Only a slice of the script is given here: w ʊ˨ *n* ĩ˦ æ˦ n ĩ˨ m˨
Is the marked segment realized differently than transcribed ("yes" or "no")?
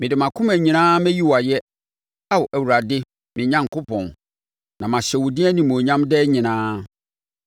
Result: yes